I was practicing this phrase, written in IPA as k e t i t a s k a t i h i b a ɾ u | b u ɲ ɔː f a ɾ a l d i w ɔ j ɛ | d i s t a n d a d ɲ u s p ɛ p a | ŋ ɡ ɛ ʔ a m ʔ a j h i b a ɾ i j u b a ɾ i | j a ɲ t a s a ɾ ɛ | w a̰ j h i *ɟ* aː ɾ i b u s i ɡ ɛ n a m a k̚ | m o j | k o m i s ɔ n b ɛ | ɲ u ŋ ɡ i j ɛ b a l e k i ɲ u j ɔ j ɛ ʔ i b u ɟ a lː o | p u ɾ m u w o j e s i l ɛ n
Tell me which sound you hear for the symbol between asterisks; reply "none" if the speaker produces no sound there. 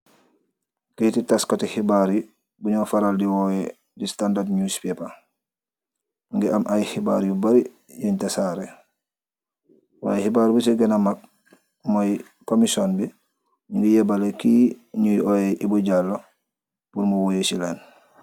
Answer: b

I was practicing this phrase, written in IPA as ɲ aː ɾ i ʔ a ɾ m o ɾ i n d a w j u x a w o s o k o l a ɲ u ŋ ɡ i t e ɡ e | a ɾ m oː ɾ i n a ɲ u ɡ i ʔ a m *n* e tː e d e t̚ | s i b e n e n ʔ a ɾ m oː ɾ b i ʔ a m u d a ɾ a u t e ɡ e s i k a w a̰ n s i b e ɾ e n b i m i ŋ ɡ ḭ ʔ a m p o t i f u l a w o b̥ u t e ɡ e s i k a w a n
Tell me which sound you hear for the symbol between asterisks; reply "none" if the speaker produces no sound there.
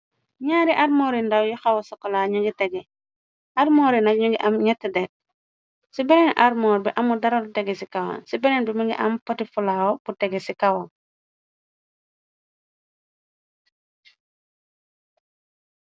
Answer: ɲ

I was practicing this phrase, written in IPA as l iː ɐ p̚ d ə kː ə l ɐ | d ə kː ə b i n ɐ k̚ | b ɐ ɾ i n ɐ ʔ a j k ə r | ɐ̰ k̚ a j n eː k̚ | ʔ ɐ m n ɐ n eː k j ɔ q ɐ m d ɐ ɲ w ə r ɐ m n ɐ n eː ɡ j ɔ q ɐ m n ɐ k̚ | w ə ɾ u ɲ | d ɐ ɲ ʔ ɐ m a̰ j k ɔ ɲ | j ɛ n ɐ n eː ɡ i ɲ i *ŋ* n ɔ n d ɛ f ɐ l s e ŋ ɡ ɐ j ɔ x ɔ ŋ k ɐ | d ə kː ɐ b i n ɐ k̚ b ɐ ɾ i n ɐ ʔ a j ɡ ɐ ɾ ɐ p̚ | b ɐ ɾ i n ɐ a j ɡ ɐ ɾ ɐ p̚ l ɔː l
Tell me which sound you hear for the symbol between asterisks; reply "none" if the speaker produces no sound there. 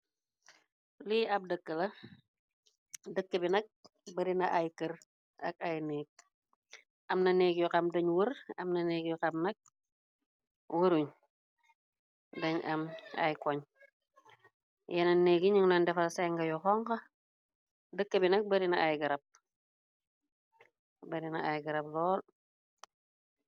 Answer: ŋ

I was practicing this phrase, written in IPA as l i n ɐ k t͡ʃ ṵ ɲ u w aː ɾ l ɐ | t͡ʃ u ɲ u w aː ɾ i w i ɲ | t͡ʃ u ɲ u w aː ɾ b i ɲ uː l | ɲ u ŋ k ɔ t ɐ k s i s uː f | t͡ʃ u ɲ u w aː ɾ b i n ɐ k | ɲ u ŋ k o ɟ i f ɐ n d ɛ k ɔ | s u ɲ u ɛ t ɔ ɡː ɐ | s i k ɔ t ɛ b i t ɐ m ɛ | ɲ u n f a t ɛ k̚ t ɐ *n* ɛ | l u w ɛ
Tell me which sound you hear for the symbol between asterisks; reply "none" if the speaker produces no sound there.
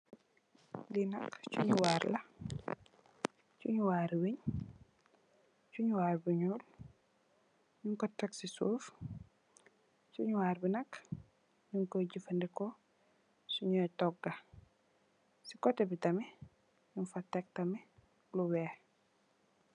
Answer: m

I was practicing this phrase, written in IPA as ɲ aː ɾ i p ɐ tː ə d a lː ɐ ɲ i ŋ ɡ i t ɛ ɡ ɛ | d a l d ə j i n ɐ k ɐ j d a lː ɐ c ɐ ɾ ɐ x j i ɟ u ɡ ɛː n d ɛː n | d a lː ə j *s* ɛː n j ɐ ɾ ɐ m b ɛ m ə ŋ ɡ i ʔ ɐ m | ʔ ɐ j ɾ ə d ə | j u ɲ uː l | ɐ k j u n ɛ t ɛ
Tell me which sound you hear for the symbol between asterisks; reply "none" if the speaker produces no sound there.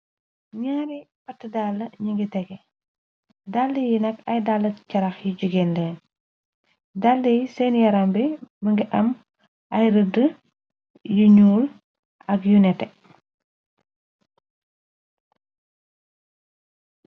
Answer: s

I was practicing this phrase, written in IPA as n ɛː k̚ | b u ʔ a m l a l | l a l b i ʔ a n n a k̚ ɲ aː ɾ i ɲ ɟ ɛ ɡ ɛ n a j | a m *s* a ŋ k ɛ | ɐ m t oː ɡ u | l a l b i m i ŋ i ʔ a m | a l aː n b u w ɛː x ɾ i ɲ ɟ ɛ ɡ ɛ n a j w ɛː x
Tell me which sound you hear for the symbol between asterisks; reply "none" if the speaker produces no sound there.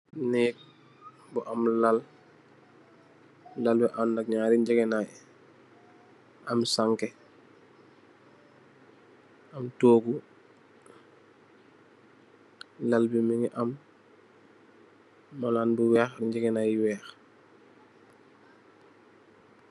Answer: s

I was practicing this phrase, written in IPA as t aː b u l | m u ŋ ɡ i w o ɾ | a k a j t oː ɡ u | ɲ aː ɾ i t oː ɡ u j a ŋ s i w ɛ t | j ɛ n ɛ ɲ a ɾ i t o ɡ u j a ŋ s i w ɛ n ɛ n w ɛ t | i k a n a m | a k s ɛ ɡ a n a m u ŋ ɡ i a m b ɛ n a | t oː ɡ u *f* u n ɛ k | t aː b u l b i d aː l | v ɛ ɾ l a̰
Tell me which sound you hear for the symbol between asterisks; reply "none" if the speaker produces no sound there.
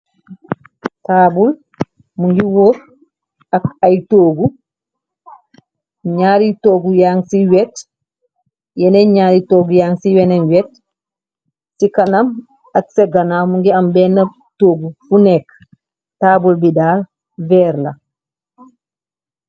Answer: f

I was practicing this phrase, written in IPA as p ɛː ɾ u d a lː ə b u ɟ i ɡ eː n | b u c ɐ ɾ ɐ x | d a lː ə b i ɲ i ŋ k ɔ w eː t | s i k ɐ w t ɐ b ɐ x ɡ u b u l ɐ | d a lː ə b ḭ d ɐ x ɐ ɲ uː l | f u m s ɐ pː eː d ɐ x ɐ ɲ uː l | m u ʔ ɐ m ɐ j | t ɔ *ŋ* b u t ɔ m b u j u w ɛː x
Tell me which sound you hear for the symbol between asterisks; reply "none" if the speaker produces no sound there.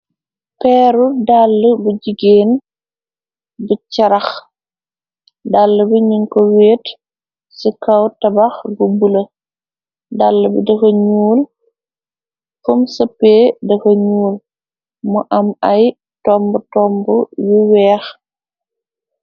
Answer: m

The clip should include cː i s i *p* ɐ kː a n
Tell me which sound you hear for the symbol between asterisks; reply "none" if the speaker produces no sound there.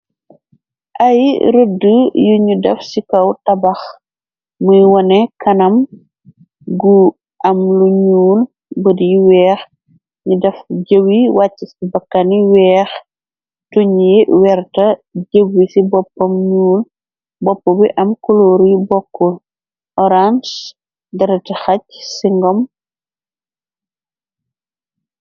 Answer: b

